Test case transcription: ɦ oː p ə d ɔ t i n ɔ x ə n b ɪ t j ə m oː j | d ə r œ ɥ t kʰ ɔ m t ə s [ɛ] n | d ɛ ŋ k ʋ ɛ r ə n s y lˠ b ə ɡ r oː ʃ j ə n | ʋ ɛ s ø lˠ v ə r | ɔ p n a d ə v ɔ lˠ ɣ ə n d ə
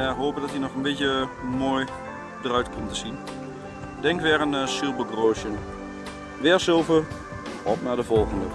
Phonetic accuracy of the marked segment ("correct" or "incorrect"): incorrect